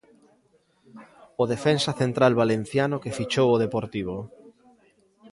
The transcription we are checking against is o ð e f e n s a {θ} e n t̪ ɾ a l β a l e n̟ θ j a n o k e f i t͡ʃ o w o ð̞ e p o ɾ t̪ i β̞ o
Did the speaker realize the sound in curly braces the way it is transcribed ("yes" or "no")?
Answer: yes